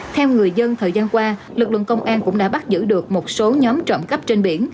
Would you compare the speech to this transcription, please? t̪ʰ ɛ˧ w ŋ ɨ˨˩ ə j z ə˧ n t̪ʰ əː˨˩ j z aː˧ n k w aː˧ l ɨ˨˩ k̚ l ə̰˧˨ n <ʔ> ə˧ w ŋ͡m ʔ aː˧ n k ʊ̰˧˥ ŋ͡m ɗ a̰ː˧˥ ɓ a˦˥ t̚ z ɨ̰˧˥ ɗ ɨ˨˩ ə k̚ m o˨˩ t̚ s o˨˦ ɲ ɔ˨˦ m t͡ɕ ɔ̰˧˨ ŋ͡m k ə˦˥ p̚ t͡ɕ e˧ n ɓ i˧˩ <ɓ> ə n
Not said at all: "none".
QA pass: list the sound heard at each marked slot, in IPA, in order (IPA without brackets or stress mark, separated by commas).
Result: k, none